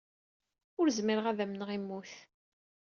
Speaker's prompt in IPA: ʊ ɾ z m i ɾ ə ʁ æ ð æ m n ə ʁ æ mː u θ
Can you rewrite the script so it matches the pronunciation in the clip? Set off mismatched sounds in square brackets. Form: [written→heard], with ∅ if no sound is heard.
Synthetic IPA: ʊ ɾ z m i ɾ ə ʁ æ ð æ m n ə ʁ [æ→i] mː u θ